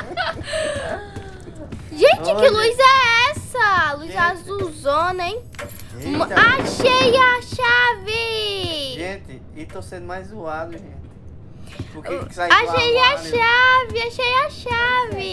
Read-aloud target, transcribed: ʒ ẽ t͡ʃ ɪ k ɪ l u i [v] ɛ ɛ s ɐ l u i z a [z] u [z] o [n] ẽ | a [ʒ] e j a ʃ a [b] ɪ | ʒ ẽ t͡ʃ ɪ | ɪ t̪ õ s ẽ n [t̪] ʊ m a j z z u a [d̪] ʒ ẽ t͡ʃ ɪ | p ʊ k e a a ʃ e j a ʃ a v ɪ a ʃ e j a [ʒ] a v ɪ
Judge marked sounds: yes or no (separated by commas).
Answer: no, yes, yes, yes, no, no, no, yes, no